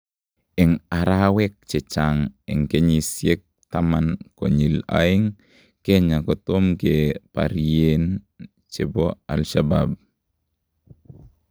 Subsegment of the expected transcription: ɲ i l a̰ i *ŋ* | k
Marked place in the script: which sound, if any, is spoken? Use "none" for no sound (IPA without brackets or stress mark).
ŋ